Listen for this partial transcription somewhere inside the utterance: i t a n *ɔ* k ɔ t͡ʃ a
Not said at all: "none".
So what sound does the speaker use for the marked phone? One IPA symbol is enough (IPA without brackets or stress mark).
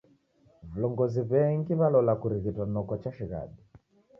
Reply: ɔ